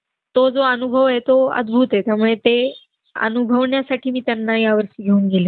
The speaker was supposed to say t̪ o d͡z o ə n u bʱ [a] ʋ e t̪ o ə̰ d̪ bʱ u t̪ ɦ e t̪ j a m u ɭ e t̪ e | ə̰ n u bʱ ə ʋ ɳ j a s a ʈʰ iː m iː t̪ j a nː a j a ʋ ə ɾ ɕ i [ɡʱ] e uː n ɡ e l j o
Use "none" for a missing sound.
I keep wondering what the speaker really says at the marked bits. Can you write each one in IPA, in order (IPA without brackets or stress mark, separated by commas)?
ə, ɡʱ